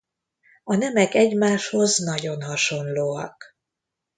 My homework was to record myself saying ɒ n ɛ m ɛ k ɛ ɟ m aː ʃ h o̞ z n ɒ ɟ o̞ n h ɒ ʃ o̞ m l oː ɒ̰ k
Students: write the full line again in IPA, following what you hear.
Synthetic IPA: ɒ n ɛ m ɛ k ɛ ɟ m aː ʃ h o̞ z n ɒ ɟ o̞ n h ɒ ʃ o̞ n l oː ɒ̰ k